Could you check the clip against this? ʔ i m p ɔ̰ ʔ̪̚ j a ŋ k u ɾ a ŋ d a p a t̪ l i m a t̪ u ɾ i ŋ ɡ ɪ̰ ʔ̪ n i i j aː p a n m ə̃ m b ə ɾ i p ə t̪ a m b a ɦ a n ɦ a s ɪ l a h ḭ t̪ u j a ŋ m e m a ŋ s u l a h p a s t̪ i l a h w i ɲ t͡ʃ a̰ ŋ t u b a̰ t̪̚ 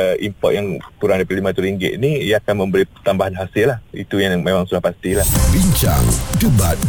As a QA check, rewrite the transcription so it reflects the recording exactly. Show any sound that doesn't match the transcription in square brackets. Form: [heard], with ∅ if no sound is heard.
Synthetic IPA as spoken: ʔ i m p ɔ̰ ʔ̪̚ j a ŋ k u ɾ a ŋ d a p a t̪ l i m a t̪ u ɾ i ŋ ɡ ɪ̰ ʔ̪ n i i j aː [k] a n m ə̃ m b ə ɾ i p ə t̪ a m b a ɦ a n ɦ a s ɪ l a h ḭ t̪ u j a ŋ m e m a ŋ s u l a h p a s t̪ i l a h [b] i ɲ t͡ʃ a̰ ŋ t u b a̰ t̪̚